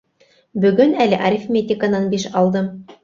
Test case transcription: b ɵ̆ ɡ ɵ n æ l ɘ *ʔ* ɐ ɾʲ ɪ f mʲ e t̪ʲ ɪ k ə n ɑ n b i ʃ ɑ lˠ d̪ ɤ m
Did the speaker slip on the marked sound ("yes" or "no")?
no